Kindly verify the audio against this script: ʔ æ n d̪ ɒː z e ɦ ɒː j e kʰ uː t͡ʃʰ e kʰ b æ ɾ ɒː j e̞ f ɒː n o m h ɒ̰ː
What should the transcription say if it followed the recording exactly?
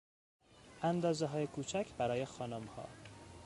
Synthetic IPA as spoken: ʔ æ n d̪ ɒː z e ɦ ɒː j e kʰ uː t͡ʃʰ æ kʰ b æ ɾ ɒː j e̞ x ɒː n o m h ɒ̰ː